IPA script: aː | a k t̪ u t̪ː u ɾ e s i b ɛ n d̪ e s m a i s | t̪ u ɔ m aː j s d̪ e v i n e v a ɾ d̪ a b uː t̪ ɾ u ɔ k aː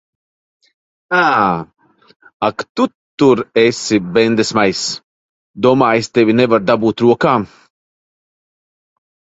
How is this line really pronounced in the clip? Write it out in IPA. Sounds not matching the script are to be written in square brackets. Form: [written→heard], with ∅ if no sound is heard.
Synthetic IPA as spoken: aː | a k t̪ u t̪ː u ɾ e s i b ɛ n d̪ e s m a [i→j] s | [t̪→d̪] u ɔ m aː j s [d̪→t̪] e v i n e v a ɾ d̪ a b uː t̪ ɾ u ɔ k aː